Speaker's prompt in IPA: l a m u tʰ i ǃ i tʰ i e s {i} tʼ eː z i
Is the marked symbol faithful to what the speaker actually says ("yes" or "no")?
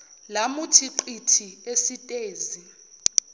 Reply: yes